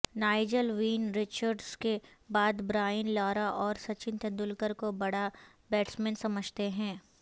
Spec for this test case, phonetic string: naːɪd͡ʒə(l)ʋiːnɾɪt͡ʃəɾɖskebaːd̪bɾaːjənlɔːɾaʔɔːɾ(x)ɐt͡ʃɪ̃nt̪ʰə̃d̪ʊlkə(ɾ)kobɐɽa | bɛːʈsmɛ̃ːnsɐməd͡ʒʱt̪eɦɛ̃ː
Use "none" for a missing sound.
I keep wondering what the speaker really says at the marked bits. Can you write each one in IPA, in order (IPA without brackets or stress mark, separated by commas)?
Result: l, s, ɾ